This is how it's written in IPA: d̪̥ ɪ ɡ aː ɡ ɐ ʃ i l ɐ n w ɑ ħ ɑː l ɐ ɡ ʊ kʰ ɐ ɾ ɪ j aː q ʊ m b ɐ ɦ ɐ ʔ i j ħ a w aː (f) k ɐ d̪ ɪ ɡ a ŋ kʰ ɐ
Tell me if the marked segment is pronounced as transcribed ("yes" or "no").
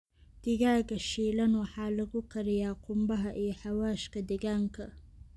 no